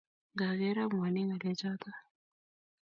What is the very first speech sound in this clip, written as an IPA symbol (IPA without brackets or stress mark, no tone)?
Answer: ɡ